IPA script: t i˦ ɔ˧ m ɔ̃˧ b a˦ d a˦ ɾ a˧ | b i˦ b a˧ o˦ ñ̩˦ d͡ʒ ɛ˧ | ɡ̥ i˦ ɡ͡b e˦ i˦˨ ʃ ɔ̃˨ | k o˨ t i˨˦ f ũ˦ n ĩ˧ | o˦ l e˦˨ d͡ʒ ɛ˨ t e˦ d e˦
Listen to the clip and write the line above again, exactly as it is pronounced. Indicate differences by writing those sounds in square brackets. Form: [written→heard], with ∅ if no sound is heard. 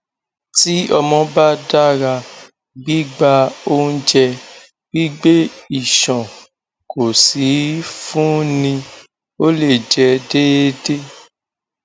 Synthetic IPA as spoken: t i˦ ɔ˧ m ɔ̃˧ b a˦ d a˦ ɾ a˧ | [b→ɡ͡b] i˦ [b→ɡ͡b] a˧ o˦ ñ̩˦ d͡ʒ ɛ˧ | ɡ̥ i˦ ɡ͡b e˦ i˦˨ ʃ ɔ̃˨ | k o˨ [t→s] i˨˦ f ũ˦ n ĩ˧ | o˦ l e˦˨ d͡ʒ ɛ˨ [t→d] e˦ d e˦